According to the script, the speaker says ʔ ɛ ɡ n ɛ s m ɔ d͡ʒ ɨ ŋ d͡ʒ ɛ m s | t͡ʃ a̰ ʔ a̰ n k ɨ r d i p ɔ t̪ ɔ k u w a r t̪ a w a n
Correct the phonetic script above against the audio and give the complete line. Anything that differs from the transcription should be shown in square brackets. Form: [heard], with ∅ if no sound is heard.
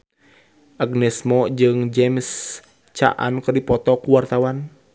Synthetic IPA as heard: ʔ [a] ɡ n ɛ s m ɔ d͡ʒ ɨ ŋ d͡ʒ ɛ m s | t͡ʃ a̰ ʔ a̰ n k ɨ r d i p ɔ t̪ ɔ k u w a r t̪ a w a n